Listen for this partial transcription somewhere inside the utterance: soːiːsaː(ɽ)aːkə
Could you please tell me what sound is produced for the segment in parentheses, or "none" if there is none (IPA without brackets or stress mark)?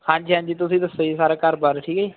ɾ